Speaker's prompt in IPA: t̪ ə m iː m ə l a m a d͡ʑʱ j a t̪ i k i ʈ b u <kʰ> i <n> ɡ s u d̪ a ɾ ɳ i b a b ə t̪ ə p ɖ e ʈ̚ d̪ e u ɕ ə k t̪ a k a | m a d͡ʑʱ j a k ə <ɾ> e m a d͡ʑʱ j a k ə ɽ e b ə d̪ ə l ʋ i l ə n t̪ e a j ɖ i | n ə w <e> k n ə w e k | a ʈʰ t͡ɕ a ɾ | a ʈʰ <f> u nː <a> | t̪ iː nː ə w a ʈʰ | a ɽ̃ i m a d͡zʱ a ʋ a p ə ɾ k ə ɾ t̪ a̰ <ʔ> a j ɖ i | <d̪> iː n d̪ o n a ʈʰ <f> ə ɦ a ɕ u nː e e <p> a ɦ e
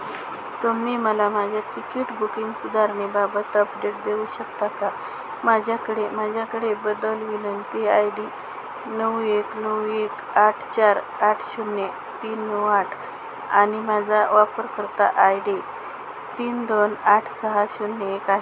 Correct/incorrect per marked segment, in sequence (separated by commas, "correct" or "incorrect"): incorrect, incorrect, incorrect, correct, incorrect, incorrect, correct, incorrect, incorrect, incorrect